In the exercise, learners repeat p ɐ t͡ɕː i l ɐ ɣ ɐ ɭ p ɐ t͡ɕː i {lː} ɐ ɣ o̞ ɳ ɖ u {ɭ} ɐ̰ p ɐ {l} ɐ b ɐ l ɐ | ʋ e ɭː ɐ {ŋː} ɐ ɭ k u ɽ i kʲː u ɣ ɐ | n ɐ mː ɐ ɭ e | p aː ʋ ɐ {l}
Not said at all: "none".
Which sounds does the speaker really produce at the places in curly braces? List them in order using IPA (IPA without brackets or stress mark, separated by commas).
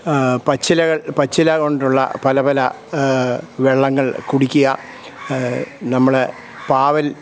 l, ɭː, l, ŋː, l